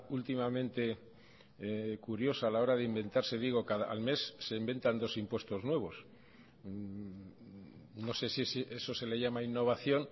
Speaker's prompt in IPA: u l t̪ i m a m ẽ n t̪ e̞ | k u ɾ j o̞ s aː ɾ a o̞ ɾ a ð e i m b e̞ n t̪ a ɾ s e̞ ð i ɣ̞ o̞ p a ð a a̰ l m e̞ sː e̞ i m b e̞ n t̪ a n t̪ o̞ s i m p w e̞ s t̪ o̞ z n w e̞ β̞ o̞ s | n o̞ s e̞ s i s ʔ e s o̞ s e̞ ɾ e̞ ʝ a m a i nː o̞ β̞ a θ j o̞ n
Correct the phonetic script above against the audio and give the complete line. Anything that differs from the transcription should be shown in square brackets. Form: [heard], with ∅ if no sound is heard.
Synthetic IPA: u l t̪ i m a m ẽ n t̪ e̞ | k u ɾ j o̞ s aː [l] a o̞ ɾ a ð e i m b e̞ n t̪ a ɾ s e̞ ð i ɣ̞ o̞ [k] a ð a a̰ l m e̞ sː e̞ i m b e̞ n t̪ a n [d̪] o̞ s i m p w e̞ s t̪ o̞ z n w e̞ β̞ o̞ s | n o̞ s e̞ s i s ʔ e s o̞ s e̞ [l] e̞ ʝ a m a i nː o̞ β̞ a θ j o̞ n